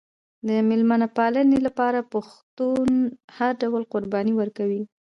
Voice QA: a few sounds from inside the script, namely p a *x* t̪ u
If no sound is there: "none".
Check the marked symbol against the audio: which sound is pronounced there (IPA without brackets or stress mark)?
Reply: x